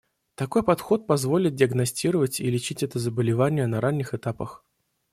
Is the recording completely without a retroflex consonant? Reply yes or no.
yes